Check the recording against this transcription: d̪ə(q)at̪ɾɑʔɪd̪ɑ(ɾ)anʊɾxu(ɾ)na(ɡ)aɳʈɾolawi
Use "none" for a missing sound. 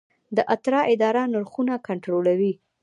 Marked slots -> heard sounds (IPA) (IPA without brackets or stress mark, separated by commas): ʔ, ɾ, none, k